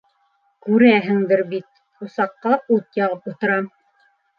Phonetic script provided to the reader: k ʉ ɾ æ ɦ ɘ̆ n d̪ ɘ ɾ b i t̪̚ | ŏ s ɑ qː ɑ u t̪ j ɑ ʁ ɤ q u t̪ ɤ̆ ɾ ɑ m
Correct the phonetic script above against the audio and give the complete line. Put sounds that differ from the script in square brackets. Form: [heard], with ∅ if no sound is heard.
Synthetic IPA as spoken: k ʉ ɾ æ ɦ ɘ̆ [ŋ] d̪ ɘ ɾ b i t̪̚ | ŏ s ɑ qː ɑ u t̪ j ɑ ʁ ɤ [p] u t̪ ɤ̆ ɾ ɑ m